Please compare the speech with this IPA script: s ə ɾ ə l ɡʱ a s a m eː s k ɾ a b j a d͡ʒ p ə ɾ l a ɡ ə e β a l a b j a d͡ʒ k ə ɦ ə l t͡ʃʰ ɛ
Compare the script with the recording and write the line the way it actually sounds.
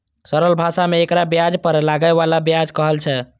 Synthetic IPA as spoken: s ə ɾ ə l bʱ a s a m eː k ɾ a b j a d͡ʒ p ə ɾ l a ɡ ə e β a l a b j a d͡ʒ k ə ɦ ə l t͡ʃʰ ɛ